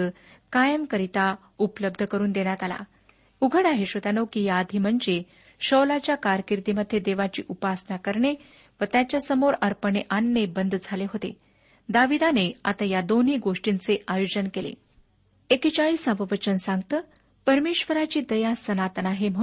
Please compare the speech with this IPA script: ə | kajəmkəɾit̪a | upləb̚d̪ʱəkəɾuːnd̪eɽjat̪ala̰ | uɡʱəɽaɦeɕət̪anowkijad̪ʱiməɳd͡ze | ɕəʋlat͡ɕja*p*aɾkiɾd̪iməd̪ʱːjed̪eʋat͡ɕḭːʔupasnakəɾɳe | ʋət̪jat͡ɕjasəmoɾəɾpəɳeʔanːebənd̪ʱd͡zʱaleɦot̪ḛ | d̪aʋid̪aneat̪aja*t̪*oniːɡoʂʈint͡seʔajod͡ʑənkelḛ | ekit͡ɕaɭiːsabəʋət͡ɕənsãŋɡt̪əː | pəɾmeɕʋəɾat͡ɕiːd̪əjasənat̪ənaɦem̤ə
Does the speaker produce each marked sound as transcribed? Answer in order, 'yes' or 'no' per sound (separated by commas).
no, no